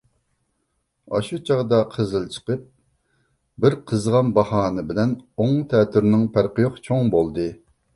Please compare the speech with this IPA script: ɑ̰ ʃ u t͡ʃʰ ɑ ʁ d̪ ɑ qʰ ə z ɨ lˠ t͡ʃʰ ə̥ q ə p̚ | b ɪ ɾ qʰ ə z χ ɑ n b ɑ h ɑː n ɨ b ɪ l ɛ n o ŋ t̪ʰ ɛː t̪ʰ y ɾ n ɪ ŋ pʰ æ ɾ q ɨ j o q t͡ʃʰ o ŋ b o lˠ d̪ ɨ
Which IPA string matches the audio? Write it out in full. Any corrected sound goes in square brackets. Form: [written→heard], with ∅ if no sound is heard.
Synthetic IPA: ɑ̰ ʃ u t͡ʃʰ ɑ ʁ d̪ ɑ qʰ ə z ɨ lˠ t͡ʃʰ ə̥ q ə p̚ | b ɪ ɾ qʰ ə z [χ→ʁ] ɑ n b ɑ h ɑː n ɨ b ɪ l ɛ n o ŋ t̪ʰ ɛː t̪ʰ y ɾ n ɪ ŋ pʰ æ ɾ q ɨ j o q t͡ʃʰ o ŋ b o lˠ d̪ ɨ

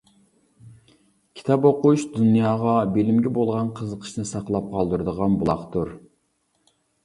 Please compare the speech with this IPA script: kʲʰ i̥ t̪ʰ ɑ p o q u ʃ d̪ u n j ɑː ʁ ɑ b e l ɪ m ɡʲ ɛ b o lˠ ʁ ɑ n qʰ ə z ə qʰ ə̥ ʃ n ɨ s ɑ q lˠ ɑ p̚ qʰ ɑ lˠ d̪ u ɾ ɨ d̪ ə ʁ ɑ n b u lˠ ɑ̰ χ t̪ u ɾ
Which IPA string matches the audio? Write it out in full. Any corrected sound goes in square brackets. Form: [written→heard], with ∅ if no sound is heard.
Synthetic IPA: kʲʰ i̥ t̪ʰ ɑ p o q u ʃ d̪ u n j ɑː ʁ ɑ b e l ɪ m ɡʲ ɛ b o lˠ ʁ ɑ n qʰ ə z ə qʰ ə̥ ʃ n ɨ s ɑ q lˠ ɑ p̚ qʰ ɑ lˠ d̪ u ɾ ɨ d̪ ə ʁ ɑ n b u lˠ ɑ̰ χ t̪ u ɾ

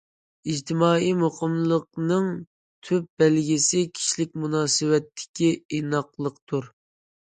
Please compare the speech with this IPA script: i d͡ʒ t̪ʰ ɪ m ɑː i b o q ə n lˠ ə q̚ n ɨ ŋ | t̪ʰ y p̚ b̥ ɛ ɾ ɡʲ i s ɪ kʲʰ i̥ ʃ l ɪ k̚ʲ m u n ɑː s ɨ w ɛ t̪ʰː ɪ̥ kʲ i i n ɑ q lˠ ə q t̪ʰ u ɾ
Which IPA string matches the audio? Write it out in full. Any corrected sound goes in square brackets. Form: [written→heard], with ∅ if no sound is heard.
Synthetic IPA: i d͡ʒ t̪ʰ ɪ m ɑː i [b→m] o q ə [n→m] lˠ ə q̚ n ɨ ŋ | t̪ʰ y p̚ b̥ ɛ [ɾ→l] ɡʲ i s ɪ kʲʰ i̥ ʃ l ɪ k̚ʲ m u n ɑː s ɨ w ɛ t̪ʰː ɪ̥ kʲ i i n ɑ q lˠ ə q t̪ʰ u ɾ

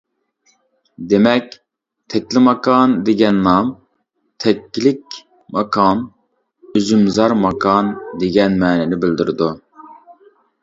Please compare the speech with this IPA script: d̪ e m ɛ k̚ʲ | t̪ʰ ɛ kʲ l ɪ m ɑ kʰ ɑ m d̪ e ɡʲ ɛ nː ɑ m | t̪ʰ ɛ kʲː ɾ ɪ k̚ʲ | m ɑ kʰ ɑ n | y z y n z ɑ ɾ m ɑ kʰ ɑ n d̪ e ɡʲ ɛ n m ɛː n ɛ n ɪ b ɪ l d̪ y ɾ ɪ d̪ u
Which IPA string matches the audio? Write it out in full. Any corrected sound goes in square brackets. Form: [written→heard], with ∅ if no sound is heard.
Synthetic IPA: d̪ e m ɛ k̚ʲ | t̪ʰ ɛ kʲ l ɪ m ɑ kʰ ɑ [m→n] d̪ e ɡʲ ɛ nː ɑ m | t̪ʰ ɛ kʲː [ɾ→l] ɪ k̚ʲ | m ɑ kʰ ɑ n | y z y [n→m] z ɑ ɾ m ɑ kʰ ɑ n d̪ e ɡʲ ɛ n m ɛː n ɛ n ɪ b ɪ l d̪ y ɾ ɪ d̪ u

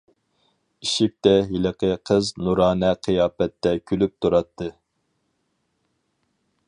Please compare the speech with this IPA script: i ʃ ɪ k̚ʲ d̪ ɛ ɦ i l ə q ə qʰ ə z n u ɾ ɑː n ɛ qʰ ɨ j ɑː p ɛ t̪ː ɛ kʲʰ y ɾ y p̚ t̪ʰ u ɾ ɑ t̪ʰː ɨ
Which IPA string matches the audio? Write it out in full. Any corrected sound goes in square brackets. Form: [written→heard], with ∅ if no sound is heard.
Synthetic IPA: i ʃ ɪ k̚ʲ [d̪→t̪] ɛ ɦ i l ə q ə qʰ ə z n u ɾ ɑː n ɛ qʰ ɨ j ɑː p ɛ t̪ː ɛ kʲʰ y [ɾ→l] y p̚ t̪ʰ u ɾ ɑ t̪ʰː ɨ

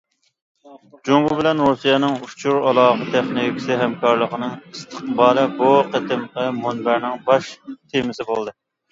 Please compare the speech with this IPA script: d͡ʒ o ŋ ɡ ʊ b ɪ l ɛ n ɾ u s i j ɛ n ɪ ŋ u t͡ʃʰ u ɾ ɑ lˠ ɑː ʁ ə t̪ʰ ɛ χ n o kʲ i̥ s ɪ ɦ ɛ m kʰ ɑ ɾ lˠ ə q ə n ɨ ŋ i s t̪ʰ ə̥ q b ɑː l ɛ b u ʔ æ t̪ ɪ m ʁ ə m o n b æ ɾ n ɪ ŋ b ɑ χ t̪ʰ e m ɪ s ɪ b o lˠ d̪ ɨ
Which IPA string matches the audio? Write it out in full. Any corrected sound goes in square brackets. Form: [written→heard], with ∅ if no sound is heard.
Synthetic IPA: d͡ʒ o ŋ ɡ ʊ b ɪ l ɛ n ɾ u s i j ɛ n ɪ ŋ u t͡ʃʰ u ɾ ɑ lˠ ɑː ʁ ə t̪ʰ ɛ χ n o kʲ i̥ s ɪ ɦ ɛ m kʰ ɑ ɾ lˠ ə q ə n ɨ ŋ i s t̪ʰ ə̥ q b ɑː l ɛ b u [ʔ→q] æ t̪ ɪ m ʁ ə m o n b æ ɾ n ɪ ŋ b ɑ [χ→ʃ] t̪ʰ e m ɪ s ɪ b o lˠ d̪ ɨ

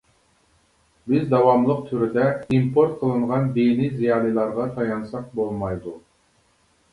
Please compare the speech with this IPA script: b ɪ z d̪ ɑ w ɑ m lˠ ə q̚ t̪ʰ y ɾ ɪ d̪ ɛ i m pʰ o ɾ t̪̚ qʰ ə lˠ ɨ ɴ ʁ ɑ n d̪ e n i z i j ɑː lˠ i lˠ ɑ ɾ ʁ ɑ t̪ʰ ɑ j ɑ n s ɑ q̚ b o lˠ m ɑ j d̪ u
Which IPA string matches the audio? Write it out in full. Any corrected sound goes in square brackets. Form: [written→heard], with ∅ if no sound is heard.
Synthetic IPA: b ɪ z d̪ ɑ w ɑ m lˠ ə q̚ t̪ʰ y ɾ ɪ d̪ ɛ i m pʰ o ɾ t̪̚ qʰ ə lˠ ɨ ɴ ʁ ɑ n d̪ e n i z i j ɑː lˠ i lˠ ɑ ɾ ʁ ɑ t̪ʰ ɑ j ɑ n s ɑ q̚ b o lˠ m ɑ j d̪ u

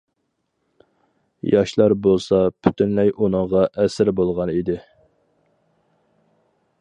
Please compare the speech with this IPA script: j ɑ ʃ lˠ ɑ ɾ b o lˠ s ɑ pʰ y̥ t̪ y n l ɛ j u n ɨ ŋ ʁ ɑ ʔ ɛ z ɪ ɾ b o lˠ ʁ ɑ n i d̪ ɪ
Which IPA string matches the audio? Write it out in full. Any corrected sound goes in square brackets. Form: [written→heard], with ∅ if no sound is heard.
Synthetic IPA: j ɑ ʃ lˠ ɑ ɾ b o lˠ s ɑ pʰ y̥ t̪ y n l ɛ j u n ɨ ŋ ʁ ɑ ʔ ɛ [z→s] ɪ ɾ b o lˠ ʁ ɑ n i d̪ ɪ

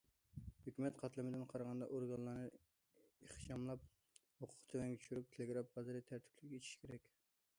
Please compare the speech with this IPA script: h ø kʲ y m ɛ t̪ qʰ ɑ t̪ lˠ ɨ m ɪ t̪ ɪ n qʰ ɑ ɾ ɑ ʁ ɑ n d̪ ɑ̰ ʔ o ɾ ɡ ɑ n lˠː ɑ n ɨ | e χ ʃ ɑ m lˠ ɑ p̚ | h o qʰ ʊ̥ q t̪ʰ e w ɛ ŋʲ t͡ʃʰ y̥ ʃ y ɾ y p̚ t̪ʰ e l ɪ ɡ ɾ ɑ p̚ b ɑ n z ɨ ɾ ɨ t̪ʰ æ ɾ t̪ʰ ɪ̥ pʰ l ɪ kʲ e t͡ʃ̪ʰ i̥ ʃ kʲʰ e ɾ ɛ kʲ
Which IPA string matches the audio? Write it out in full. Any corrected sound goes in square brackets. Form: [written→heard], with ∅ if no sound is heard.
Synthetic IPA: h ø kʲ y m ɛ t̪ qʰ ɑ t̪ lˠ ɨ m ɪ [t̪→d̪] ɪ n qʰ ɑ ɾ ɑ ʁ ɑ n d̪ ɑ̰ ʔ o ɾ ɡ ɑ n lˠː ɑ n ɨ | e χ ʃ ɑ m lˠ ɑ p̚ | h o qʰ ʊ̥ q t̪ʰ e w ɛ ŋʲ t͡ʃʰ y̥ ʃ y ɾ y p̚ t̪ʰ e l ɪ ɡ ɾ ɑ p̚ b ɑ [n→∅] z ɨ ɾ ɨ t̪ʰ æ ɾ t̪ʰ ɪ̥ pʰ l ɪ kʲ e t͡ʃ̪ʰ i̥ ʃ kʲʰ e ɾ ɛ kʲ

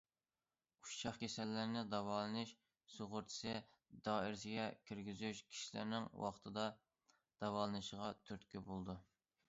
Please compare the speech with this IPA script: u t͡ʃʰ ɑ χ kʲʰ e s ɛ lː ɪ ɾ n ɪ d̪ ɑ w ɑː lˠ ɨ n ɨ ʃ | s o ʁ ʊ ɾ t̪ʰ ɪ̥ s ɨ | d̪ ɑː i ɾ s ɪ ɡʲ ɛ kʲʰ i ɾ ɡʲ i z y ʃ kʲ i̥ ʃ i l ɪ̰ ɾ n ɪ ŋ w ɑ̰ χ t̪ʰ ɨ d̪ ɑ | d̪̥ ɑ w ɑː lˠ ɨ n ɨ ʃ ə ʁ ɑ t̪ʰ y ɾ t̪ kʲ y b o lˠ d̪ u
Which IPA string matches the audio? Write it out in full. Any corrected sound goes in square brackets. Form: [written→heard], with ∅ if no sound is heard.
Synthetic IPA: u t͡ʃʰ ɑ χ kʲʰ e s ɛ lː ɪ ɾ n ɪ d̪ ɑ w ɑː lˠ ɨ n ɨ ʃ | s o ʁ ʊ ɾ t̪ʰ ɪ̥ s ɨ | d̪ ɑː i ɾ s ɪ ɡʲ ɛ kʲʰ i ɾ ɡʲ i z y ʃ [kʲ→kʲʰ] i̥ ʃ i l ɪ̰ ɾ n ɪ ŋ w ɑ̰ χ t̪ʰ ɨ d̪ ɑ | d̪̥ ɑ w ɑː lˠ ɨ n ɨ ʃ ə ʁ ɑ t̪ʰ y ɾ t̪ kʲ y b o lˠ d̪ u

